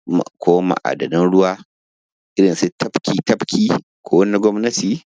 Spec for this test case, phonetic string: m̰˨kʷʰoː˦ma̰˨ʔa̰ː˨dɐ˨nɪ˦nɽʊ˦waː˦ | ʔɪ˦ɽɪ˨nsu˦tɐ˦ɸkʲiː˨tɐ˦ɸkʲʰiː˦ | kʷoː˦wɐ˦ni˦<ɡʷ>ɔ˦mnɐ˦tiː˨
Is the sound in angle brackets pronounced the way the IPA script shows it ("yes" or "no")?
yes